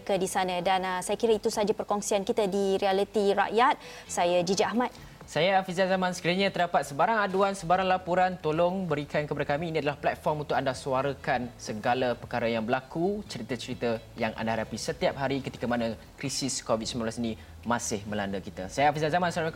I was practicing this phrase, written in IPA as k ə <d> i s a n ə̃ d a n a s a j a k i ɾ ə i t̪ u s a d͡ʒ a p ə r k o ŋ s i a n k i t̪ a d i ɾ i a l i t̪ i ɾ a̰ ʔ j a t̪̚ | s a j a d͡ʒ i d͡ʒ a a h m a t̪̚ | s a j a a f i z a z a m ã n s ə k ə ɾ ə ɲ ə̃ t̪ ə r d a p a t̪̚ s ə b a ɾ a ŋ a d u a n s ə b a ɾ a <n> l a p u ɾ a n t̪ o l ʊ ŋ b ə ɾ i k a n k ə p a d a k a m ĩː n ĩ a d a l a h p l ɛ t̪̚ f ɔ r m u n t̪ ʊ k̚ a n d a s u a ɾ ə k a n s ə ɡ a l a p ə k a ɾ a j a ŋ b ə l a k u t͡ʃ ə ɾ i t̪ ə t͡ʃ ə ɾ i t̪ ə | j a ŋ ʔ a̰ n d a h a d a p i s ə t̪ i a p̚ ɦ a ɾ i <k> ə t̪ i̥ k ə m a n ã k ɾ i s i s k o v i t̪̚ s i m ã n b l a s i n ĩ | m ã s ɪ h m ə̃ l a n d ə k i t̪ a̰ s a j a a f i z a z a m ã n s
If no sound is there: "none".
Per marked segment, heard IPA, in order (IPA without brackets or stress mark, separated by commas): d, ŋ, k